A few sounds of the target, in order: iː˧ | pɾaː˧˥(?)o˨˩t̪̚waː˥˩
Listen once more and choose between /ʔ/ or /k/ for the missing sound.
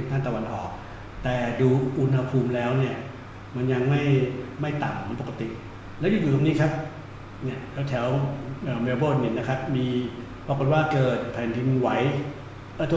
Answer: k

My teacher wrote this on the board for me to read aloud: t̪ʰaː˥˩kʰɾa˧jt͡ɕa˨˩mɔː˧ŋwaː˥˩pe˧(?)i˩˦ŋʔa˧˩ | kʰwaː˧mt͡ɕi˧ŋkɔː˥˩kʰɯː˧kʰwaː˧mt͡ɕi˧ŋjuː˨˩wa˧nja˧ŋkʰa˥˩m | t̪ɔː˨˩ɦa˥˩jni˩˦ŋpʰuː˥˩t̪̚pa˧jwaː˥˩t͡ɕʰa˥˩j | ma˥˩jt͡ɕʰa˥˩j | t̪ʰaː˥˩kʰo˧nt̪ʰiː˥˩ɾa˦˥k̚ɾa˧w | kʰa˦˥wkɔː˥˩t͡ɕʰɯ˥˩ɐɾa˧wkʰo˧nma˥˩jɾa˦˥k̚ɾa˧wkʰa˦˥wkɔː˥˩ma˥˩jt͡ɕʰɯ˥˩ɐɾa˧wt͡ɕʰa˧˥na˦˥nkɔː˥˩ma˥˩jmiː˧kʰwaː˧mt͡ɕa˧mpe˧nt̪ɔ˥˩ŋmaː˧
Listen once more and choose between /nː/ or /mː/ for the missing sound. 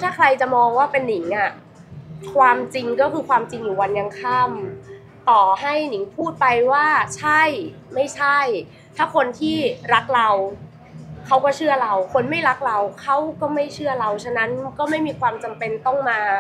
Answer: nː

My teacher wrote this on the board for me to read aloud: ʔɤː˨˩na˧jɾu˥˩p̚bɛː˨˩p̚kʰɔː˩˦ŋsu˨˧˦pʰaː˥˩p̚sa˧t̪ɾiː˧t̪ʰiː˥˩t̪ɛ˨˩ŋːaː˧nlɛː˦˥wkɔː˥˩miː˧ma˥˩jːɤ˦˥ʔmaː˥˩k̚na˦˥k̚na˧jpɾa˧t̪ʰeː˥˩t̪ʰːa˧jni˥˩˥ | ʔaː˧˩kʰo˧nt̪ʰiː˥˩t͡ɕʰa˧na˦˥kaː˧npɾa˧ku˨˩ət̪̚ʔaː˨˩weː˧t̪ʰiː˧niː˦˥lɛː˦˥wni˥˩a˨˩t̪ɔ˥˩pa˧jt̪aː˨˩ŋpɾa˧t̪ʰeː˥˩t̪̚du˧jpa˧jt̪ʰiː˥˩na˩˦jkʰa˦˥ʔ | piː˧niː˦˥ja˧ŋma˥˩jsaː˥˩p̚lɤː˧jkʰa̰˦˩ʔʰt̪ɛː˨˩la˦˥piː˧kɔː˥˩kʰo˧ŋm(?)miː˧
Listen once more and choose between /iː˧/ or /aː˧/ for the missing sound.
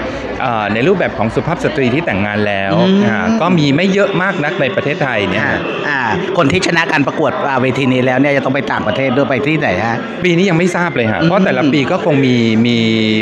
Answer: iː˧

